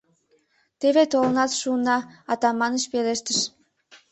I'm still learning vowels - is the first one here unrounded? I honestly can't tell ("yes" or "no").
yes